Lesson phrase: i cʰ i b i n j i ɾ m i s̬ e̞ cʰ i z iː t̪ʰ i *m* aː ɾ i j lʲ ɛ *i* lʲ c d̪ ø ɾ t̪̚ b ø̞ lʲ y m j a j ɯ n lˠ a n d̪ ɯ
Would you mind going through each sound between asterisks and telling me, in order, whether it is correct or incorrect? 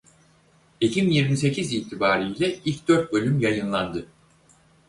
incorrect, correct

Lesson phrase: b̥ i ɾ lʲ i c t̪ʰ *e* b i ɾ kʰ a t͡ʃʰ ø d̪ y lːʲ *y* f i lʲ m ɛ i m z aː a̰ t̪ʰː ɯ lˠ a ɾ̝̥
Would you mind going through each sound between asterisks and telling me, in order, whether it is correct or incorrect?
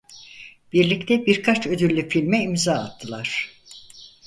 incorrect, correct

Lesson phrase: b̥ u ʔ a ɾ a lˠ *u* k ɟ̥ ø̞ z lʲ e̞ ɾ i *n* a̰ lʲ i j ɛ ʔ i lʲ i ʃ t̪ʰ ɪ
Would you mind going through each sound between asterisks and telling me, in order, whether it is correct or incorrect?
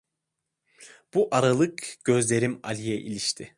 incorrect, incorrect

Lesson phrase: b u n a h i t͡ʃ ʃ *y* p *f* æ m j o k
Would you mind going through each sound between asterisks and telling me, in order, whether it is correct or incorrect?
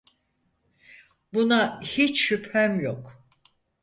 correct, incorrect

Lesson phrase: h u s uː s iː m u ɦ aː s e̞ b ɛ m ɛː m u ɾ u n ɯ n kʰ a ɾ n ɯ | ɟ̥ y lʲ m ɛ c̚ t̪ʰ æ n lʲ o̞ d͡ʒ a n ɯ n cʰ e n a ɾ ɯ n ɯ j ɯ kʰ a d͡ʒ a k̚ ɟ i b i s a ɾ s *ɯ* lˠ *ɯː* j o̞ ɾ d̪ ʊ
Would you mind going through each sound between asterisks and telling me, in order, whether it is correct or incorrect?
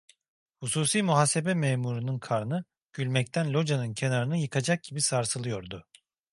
correct, incorrect

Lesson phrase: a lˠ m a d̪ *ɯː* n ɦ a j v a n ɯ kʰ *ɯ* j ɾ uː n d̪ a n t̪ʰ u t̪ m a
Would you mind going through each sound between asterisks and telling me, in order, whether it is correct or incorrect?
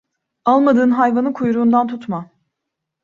correct, incorrect

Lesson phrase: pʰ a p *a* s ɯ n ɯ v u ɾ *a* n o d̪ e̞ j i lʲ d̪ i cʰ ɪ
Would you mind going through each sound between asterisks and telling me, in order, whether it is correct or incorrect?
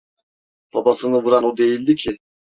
correct, correct

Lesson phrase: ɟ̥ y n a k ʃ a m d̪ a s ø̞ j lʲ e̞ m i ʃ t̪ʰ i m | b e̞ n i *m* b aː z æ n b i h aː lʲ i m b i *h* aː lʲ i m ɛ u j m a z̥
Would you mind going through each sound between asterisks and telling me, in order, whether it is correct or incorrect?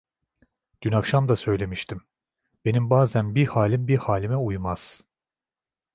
correct, correct

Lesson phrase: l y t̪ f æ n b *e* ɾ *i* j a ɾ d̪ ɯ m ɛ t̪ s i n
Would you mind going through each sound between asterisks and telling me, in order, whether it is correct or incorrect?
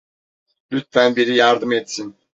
incorrect, correct

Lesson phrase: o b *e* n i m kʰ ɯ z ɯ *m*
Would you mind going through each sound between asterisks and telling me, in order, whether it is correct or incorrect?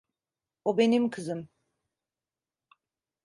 correct, correct

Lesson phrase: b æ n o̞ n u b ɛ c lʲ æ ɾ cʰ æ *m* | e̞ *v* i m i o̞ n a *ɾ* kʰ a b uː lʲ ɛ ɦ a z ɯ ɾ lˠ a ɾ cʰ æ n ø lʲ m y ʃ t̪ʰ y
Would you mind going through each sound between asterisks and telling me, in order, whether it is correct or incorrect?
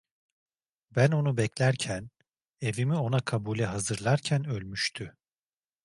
incorrect, correct, incorrect

